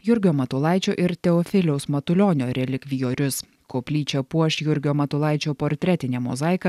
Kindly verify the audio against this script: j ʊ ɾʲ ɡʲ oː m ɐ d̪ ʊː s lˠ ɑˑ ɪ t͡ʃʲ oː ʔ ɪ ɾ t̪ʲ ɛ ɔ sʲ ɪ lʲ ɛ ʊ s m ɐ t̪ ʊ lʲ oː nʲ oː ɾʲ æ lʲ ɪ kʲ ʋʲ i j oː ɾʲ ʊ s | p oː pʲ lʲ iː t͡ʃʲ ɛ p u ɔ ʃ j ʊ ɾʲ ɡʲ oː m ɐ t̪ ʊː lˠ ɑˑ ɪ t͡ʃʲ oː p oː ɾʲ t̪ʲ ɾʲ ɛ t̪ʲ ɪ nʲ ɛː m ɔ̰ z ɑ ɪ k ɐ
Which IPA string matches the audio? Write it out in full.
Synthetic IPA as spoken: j ʊ ɾʲ ɡʲ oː m ɐ t̪ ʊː lˠ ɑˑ ɪ t͡ʃʲ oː ʔ ɪ ɾ t̪ʲ ɛ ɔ fʲ ɪ lʲ ɛ ʊ s m ɐ t̪ ʊ lʲ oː nʲ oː ɾʲ ɛ lʲ ɪ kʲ ʋʲ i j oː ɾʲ ʊ s | k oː pʲ lʲ iː t͡ʃʲ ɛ p u ɔ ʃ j ʊ ɾʲ ɡʲ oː m ɐ t̪ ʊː lˠ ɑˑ ɪ t͡ʃʲ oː p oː ɾʲ t̪ʲ ɾʲ ɛ t̪ʲ ɪ nʲ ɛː m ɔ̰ z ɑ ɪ k ɐ